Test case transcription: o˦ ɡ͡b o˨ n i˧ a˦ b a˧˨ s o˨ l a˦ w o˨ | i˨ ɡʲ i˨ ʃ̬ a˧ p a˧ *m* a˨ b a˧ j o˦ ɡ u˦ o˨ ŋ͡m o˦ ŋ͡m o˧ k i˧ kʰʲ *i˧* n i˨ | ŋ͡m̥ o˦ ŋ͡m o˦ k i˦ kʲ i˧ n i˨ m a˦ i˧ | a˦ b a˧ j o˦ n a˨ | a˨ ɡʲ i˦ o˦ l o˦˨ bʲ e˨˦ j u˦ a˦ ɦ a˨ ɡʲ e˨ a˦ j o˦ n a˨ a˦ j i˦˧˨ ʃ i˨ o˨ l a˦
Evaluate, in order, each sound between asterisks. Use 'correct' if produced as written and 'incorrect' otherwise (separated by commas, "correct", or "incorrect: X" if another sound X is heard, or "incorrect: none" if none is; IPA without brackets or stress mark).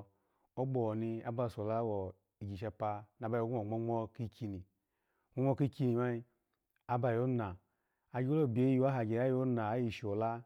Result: incorrect: n, correct